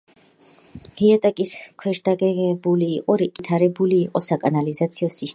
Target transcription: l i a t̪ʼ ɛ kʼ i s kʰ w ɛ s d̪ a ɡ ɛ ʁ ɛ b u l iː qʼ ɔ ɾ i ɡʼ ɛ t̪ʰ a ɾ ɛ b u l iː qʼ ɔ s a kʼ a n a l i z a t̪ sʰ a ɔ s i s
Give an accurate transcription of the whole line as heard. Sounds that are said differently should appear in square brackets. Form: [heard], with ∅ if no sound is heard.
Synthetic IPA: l i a t̪ʼ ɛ kʼ i s kʰ w ɛ [ʃ] d̪ a ɡ ɛ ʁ ɛ b u l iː qʼ ɔ ɾ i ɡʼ [i] t̪ʰ a ɾ ɛ b u l iː qʼ ɔ s a kʼ a n a l i z a t̪ sʰ [i] ɔ s i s

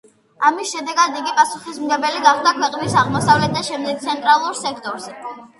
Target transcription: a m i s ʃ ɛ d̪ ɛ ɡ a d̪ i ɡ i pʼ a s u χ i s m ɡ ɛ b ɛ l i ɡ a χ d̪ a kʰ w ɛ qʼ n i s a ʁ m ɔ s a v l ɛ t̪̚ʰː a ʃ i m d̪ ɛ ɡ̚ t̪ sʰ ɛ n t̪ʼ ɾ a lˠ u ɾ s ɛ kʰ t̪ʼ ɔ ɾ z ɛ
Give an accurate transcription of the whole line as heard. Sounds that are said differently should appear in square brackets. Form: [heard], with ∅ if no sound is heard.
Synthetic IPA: a m i s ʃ ɛ d̪ ɛ ɡ a d̪ i ɡ i pʼ a s u χ i s m ɡ ɛ b ɛ l i ɡ a χ d̪ a kʰ w ɛ qʼ n i s a ʁ m ɔ s a v l ɛ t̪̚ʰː a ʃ [ɛ] m d̪ ɛ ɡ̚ t̪ sʰ ɛ n t̪ʼ ɾ a lˠ u ɾ s ɛ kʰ t̪ʼ ɔ ɾ z ɛ

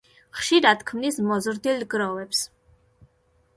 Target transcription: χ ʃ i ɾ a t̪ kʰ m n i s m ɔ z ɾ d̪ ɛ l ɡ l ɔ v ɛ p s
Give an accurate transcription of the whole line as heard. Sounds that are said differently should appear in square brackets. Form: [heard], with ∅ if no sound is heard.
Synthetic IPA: χ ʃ i ɾ a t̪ kʰ m n i s m ɔ z ɾ d̪ [i] l ɡ [ɾ] ɔ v ɛ p s

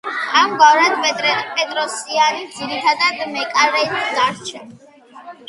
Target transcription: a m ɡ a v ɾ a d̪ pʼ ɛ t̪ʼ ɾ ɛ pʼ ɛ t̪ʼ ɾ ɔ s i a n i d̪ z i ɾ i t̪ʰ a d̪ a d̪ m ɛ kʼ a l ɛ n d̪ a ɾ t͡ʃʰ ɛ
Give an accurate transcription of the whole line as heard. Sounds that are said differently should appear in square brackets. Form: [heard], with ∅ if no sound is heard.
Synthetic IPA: a m ɡ a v ɾ a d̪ pʼ ɛ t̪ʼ ɾ ɛ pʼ ɛ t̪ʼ ɾ ɔ s i a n i d̪ z i ɾ i t̪ʰ a d̪ a d̪ m ɛ kʼ a [ɾ] ɛ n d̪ a ɾ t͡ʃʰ ɛ

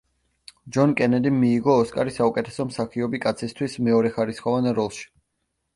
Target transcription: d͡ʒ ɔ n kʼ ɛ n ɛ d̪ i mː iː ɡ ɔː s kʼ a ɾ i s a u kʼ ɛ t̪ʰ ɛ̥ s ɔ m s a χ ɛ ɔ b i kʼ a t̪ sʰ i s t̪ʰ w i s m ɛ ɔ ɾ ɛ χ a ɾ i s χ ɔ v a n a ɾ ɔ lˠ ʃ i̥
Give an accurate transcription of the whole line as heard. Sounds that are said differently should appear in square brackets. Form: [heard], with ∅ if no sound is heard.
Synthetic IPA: d͡ʒ ɔ n kʼ ɛ n ɛ d̪ i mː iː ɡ ɔː s kʼ a ɾ i s a u kʼ ɛ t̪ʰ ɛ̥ s ɔ m s a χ [i] ɔ b i kʼ a t̪ sʰ i s t̪ʰ w i s m ɛ ɔ ɾ ɛ χ a ɾ i s χ ɔ v a n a ɾ ɔ lˠ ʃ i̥

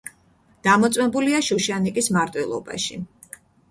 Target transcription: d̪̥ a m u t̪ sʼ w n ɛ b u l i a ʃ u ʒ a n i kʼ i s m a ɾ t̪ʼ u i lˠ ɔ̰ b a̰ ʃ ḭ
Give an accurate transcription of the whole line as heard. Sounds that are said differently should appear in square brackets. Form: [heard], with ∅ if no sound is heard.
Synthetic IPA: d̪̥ a m [ɔ] t̪ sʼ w [m] ɛ b u l i a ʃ u [ʃ] a n i kʼ i s m a ɾ t̪ʼ [w] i lˠ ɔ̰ b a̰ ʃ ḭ

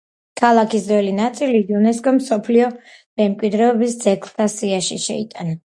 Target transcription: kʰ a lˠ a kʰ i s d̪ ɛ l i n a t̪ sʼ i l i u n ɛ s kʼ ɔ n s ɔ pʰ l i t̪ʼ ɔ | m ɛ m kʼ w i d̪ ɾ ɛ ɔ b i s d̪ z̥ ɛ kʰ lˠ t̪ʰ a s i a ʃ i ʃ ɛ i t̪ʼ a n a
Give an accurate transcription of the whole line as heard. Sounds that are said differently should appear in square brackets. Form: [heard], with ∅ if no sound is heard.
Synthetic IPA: kʰ a lˠ a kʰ i s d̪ ɛ l i n a t̪ sʼ i l i u n ɛ s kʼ ɔ [m] s ɔ pʰ l i [∅] ɔ | m ɛ m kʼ w i d̪ ɾ ɛ ɔ b i s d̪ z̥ ɛ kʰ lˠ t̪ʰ a s i a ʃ i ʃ ɛ i t̪ʼ a n a

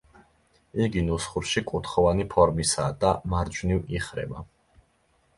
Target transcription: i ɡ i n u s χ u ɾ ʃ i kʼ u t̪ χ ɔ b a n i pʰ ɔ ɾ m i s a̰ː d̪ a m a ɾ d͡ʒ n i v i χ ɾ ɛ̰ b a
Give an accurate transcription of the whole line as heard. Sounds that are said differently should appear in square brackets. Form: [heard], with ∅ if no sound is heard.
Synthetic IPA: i ɡ i n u s χ u ɾ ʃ i kʼ u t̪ χ ɔ [v] a n i pʰ ɔ ɾ m i s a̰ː d̪ a m a ɾ d͡ʒ n i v i χ ɾ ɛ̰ b a

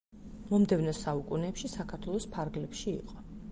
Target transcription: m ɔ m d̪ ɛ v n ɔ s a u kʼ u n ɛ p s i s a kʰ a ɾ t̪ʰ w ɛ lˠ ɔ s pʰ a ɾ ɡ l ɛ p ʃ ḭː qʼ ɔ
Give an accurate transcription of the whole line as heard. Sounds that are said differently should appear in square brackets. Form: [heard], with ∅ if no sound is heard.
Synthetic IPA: m ɔ m d̪ ɛ v n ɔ s a u kʼ u n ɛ p [ʃ] i s a kʰ a ɾ t̪ʰ w ɛ lˠ ɔ s pʰ a ɾ ɡ l ɛ p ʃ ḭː qʼ ɔ

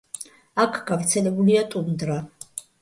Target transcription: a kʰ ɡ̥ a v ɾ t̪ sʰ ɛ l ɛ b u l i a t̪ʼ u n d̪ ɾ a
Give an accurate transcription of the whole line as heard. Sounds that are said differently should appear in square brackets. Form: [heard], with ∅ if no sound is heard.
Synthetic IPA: a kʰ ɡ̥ a v ɾ t̪ sʰ ɛ l ɛ b u l i a t̪ʼ u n d̪ ɾ a

